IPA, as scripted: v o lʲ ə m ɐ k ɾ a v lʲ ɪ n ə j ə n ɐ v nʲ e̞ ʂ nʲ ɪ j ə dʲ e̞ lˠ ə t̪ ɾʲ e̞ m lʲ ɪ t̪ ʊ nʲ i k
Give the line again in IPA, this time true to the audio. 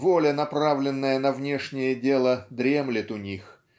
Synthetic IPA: v o lʲ ə n ɐ p ɾ a v lʲ ɪ nː ə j ə n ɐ v nʲ e̞ ʂ nʲ ɪ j ə dʲ e̞ lˠ ə d̪ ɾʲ e̞ m lʲ ɪ t̪ ʊ nʲ i x